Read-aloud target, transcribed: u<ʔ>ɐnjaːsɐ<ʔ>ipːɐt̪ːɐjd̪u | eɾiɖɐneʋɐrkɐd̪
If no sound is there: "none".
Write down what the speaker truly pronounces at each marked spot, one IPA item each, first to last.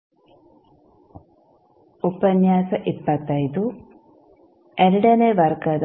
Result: p, ʔ

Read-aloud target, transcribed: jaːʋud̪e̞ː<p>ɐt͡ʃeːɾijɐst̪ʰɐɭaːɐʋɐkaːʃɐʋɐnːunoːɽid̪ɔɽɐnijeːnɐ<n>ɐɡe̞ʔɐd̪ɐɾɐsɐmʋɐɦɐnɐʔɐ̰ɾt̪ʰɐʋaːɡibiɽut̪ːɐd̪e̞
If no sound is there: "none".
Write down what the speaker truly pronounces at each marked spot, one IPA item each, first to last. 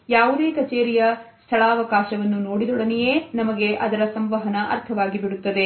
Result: k, m

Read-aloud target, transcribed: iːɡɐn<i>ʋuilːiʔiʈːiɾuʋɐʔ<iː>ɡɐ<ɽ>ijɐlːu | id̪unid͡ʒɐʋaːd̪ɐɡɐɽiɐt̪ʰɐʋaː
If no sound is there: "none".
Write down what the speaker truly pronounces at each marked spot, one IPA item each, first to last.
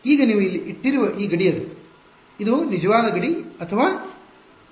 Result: iː, iː, ɽ

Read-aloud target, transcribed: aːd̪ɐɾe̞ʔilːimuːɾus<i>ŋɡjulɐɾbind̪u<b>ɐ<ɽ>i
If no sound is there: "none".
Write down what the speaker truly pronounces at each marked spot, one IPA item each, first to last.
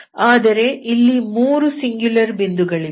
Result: i, ɡ, ɭ

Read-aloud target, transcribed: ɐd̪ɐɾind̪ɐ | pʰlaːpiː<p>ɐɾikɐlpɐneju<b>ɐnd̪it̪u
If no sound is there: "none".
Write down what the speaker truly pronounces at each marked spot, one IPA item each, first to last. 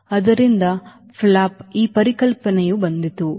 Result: p, b

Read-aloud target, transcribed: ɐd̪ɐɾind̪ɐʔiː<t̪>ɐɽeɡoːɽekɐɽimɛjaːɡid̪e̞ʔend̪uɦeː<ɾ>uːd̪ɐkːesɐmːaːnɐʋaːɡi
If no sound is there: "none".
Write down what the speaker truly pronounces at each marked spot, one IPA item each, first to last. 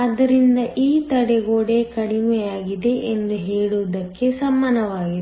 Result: t̪, ɭ

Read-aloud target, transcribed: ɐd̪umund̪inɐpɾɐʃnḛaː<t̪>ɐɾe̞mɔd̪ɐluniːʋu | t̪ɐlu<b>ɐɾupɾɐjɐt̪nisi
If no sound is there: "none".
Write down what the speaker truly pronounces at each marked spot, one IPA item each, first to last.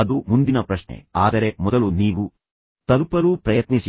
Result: d̪, p

